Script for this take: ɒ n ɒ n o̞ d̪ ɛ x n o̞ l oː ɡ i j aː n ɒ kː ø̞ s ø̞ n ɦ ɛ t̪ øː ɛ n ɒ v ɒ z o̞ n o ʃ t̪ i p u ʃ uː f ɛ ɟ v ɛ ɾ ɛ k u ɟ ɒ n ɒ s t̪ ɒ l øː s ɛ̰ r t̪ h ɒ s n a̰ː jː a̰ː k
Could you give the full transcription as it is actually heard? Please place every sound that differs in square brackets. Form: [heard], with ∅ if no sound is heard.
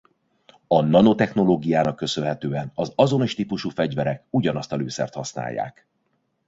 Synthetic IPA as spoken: ɒ n ɒ n o̞ [t̪] ɛ x n o̞ l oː ɡ i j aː n ɒ kː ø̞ s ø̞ n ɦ ɛ t̪ øː ɛ n ɒ [z] ɒ z o̞ n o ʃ t̪ i p u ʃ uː f ɛ ɟ v ɛ ɾ ɛ k u ɟ ɒ n ɒ s t̪ ɒ l øː s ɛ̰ r t̪ h ɒ s n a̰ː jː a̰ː k